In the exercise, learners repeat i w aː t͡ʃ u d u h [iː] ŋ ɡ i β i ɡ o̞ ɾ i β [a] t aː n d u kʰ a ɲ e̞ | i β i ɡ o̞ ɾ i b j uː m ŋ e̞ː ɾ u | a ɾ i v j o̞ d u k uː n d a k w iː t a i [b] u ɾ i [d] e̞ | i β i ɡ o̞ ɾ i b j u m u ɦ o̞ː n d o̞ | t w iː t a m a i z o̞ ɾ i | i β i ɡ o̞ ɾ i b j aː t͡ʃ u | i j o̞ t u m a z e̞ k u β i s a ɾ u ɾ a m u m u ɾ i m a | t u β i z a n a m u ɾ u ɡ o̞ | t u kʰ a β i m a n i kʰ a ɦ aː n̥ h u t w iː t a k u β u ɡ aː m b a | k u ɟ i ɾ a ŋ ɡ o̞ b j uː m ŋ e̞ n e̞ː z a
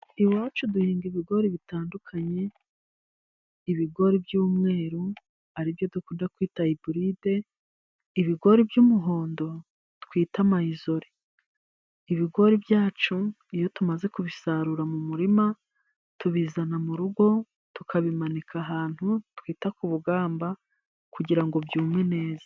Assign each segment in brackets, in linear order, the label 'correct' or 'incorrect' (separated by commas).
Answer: correct, incorrect, correct, correct